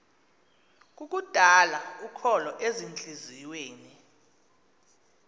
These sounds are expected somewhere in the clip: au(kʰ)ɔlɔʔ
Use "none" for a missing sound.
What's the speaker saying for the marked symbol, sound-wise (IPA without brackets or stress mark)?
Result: kʰ